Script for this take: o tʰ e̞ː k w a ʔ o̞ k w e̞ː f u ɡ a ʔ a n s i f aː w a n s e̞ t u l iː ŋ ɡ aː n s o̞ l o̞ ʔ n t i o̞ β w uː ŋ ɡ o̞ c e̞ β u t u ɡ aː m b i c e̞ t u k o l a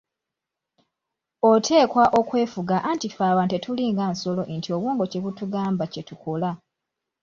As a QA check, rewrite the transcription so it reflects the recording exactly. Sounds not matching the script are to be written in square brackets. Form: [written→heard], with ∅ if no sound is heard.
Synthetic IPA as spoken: o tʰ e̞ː k w a ʔ o̞ k w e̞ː f u ɡ a ʔ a n [s→t] i f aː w a n [s→t] e̞ t u l iː ŋ ɡ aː n s o̞ l o̞ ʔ n t i o̞ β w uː ŋ ɡ o̞ c e̞ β u t u ɡ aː m b [i→a] c e̞ t u k o l a